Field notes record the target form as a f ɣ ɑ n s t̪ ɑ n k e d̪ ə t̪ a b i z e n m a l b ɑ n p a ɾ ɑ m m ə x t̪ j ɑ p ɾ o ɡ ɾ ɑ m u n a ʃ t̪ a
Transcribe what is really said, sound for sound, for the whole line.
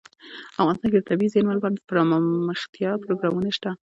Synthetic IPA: a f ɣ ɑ n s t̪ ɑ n k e d̪ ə t̪ a b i z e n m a l b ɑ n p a ɾ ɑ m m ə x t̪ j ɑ p ɾ o ɡ ɾ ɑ m u n a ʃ t̪ a